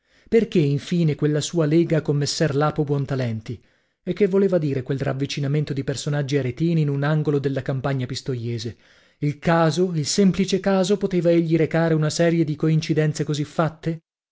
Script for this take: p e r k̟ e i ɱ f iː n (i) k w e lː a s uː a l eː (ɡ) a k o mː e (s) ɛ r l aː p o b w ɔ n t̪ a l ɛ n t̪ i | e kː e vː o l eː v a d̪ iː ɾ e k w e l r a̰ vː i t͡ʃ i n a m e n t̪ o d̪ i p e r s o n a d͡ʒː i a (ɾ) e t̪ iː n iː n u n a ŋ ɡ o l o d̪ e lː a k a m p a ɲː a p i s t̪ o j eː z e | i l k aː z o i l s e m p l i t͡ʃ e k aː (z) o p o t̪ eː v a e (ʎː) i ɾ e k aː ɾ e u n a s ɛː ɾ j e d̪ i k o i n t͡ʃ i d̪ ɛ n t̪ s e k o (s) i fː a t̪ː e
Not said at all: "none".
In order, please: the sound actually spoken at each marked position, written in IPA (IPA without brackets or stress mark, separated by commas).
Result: e, ɡ, sː, ɾ, z, ʎː, z